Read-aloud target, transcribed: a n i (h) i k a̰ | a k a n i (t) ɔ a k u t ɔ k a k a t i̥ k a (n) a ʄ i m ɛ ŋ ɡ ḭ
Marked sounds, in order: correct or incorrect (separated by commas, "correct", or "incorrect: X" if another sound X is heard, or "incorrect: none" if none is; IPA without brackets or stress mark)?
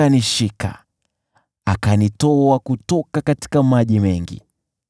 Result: incorrect: ʃ, correct, incorrect: m